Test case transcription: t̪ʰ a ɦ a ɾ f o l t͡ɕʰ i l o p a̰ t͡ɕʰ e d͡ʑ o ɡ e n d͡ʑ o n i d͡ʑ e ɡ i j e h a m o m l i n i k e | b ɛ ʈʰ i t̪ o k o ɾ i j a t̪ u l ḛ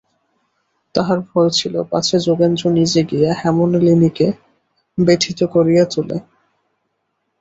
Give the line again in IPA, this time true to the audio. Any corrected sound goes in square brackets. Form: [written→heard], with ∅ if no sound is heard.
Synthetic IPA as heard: [t̪ʰ→t̪] a ɦ a ɾ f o l t͡ɕʰ i l o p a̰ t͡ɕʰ e d͡ʑ o ɡ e n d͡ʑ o n i d͡ʑ e ɡ i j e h [a→ɛ] m o [m→n] l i n i k e | b [ɛ→e] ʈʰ i t̪ o k o ɾ i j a t̪ u l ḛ